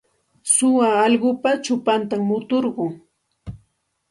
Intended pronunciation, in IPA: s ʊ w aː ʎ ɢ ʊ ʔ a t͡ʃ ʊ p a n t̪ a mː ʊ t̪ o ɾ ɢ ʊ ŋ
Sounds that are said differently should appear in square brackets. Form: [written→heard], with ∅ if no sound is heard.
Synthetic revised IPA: s ʊ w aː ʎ ɢ ʊ [ʔ→p] a t͡ʃ ʊ p a n t̪ a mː ʊ t̪ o ɾ ɢ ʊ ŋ